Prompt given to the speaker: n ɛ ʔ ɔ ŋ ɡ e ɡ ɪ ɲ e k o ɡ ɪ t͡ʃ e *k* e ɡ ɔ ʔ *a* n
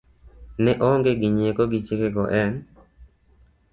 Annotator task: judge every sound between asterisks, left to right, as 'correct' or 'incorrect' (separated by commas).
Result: correct, incorrect